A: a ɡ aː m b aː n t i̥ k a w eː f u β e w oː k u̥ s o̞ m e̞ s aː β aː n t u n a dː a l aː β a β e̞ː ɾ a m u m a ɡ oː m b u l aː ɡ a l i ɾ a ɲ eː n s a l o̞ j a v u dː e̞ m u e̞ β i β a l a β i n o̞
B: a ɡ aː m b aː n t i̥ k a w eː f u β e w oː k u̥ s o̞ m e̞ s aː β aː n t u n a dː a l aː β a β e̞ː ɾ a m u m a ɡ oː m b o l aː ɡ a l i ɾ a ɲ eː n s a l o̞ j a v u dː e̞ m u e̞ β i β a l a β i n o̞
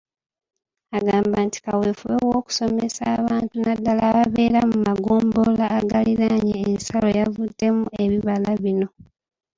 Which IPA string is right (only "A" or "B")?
B